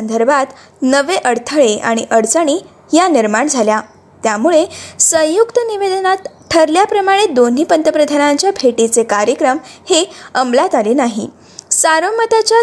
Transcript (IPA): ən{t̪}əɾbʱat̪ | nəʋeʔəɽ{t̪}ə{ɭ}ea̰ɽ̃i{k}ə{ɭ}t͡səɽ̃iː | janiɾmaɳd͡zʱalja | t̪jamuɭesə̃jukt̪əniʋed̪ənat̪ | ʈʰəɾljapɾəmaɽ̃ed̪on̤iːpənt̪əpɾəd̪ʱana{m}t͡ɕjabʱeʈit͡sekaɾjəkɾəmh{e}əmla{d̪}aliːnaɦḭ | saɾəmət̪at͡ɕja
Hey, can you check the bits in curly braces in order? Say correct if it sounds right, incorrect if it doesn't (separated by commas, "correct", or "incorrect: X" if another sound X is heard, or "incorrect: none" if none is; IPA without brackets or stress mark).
incorrect: d̪, incorrect: t̪ʰ, correct, incorrect: ʔ, incorrect: ɽ, incorrect: ɲ, correct, incorrect: t̪